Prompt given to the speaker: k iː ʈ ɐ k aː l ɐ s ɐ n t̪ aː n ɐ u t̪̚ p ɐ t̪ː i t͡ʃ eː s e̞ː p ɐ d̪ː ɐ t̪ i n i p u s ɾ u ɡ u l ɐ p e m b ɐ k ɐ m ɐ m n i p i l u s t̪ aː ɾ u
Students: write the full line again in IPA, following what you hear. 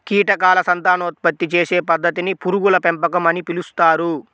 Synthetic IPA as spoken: k iː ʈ ɐ k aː l ɐ s ɐ n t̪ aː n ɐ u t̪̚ p ɐ t̪ː i t͡ʃ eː s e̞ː p ɐ d̪ː ɐ t̪ i n i p u ɾ u ɡ u l ɐ p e m p ɐ k ɐ m ɐ n i p i l u s t̪ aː ɾ u